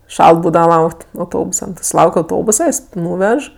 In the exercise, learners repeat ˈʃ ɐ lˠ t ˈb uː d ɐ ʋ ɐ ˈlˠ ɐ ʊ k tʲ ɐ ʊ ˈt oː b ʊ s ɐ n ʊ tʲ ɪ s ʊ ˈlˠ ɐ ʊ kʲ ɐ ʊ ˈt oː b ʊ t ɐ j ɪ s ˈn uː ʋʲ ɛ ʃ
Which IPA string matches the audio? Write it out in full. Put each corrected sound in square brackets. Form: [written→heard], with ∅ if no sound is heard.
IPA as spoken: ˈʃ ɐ lˠ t ˈb uː d ɐ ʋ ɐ ˈlˠ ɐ ʊ k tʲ ɐ ʊ ˈt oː b ʊ s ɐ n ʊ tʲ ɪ s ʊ ˈlˠ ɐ ʊ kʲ ɐ ʊ ˈt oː b ʊ [t→s] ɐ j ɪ s ˈn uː ʋʲ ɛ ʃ